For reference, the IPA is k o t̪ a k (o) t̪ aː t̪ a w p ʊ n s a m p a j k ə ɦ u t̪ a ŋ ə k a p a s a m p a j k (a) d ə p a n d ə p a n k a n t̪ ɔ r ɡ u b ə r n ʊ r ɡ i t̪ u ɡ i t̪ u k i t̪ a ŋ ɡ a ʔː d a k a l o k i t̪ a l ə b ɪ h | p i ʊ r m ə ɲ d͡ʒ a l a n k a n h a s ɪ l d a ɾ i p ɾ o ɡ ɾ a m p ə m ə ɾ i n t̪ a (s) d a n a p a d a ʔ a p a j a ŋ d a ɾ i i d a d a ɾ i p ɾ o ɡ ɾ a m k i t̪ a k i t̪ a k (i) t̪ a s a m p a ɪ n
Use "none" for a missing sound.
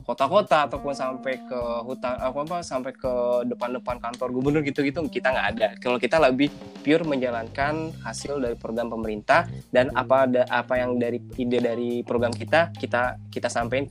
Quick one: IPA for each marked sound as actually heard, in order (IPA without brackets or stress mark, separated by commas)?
o, ə, h, i